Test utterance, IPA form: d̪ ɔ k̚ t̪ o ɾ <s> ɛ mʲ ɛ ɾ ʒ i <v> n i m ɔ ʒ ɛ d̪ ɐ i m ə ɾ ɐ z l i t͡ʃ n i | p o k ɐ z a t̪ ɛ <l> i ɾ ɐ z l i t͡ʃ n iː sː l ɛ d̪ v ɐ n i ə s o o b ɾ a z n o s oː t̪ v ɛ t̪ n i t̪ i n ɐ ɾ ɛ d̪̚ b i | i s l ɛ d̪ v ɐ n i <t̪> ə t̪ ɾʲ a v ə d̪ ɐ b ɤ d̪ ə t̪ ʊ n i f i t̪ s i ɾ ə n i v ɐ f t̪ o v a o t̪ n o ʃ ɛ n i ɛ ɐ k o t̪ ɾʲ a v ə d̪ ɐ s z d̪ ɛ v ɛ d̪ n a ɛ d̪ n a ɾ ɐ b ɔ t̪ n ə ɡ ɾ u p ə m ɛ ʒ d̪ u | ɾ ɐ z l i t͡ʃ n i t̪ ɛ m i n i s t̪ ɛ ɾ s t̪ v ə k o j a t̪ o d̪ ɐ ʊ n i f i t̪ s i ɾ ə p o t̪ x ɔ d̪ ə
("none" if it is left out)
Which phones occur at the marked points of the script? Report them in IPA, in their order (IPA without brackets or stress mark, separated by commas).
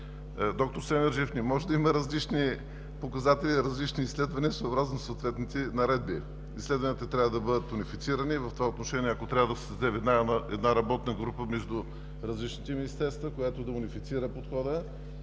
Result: s, f, l, t̪